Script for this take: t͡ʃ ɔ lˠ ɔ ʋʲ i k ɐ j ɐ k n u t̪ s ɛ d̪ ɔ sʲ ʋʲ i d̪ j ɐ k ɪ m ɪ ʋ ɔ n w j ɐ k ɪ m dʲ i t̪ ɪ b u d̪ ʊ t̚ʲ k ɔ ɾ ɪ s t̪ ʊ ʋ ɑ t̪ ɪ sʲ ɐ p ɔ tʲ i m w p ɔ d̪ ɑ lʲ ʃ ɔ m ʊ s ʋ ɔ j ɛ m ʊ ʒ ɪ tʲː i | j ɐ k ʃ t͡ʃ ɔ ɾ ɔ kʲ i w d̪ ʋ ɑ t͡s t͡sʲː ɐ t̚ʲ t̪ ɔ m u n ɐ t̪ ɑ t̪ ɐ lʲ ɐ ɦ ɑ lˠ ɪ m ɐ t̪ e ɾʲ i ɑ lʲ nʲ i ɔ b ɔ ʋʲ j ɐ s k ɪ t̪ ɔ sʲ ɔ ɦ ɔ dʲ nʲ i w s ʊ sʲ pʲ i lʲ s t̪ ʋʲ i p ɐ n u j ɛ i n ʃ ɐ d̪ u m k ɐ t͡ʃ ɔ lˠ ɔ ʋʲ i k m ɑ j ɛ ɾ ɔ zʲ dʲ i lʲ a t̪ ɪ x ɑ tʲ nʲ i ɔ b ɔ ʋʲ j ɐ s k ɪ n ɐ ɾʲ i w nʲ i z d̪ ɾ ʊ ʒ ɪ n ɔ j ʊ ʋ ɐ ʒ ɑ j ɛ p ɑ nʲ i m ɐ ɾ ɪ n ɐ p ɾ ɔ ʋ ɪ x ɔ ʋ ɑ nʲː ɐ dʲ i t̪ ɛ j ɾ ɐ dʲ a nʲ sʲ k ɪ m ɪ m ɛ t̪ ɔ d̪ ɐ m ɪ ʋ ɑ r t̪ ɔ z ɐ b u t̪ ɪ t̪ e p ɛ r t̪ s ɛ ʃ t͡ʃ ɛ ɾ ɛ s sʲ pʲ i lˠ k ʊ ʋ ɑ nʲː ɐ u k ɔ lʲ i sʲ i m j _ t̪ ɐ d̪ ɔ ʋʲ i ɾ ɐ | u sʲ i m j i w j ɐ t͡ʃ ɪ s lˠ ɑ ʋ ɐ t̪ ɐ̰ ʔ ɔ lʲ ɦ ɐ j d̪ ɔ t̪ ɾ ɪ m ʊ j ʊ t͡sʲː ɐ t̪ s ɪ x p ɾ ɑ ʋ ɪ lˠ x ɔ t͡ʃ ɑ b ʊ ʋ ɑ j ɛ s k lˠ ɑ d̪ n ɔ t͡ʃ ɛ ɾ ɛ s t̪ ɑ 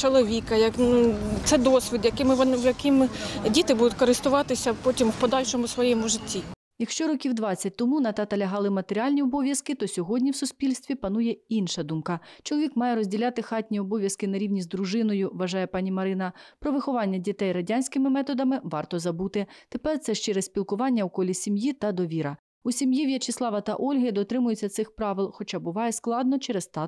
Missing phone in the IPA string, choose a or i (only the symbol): i